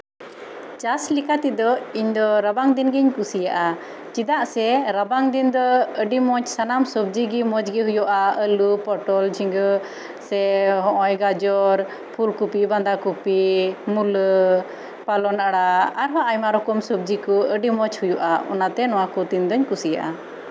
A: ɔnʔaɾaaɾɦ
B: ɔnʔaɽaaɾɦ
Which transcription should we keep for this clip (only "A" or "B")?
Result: B